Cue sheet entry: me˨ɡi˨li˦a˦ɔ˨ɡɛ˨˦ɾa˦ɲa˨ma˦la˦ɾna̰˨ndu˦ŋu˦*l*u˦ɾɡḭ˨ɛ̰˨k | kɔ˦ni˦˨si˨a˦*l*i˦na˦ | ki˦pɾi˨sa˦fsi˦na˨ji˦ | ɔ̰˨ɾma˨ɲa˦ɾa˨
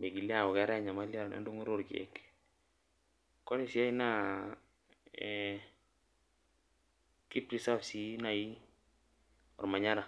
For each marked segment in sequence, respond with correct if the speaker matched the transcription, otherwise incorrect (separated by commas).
incorrect, incorrect